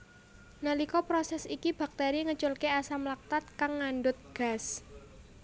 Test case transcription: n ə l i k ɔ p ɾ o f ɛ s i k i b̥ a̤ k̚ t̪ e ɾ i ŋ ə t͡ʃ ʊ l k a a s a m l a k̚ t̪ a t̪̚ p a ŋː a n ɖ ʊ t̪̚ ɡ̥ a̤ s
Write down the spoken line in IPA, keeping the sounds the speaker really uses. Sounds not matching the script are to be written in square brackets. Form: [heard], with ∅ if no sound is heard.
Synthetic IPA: n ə l i k ɔ p ɾ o [s] ɛ s i k i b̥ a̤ k̚ t̪ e ɾ i ŋ ə t͡ʃ ʊ l k [e] a s a m l a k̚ t̪ a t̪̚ [k] a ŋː a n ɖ ʊ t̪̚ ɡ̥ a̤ s